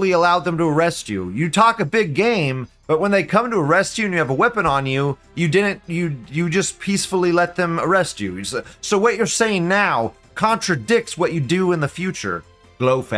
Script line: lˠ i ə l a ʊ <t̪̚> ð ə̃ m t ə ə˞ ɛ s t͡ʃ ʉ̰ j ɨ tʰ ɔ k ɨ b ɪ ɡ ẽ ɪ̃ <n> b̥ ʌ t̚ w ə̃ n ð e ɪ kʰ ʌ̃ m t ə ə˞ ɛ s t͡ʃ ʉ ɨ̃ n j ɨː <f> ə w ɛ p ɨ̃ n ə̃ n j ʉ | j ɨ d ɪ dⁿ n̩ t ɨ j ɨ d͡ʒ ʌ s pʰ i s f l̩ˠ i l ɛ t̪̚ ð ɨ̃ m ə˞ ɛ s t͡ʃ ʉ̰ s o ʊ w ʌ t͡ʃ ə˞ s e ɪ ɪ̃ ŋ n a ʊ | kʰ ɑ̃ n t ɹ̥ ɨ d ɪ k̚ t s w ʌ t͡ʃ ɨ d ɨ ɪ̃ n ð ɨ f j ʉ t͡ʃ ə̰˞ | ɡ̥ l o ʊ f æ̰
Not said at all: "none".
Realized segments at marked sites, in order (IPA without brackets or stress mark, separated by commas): d̪̚, m, v